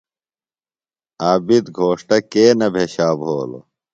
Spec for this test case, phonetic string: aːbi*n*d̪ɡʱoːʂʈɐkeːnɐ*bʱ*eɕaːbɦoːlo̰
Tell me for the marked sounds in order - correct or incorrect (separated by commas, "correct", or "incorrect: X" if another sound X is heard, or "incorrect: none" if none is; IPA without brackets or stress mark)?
incorrect: none, correct